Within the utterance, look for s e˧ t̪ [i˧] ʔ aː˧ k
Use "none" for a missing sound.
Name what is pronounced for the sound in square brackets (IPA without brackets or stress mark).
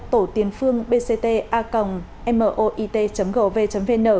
e˧